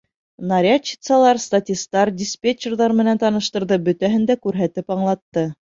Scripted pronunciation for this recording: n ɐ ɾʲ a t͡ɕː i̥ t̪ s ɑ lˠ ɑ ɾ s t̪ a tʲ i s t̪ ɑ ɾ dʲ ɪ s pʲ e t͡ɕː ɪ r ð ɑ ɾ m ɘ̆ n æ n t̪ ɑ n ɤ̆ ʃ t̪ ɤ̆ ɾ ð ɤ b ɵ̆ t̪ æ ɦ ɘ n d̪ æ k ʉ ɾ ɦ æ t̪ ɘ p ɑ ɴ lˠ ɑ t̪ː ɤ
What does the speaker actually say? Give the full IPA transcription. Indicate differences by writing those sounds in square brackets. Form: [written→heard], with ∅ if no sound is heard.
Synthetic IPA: n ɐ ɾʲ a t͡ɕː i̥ t̪ s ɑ lˠ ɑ ɾ s t̪ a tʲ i s t̪ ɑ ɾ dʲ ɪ s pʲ e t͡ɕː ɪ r ð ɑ ɾ m ɘ̆ n æ n t̪ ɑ n ɤ̆ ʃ t̪ ɤ̆ ɾ ð ɤ b ɵ̆ t̪ æ ɦ ɘ n d̪ æ k ʉ ɾ ɦ æ t̪ ɘ p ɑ ɴ lˠ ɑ t̪ː ɤ